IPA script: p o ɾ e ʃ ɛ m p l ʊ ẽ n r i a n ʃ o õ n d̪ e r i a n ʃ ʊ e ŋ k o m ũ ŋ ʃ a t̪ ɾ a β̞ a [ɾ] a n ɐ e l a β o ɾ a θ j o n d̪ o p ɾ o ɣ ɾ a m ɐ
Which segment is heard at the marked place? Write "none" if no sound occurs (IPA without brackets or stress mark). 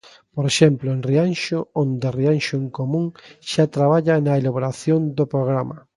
ʎ